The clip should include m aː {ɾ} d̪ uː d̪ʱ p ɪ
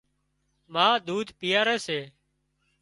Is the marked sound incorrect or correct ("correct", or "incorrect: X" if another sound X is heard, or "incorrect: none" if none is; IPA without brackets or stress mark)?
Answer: incorrect: none